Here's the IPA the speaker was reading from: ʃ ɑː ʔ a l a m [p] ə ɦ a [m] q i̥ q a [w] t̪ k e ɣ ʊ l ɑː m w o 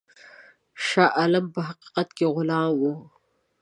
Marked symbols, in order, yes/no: yes, no, no

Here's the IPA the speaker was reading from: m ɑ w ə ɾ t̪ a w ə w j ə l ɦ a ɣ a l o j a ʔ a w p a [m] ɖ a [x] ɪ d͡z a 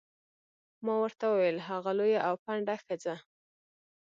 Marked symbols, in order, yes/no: no, yes

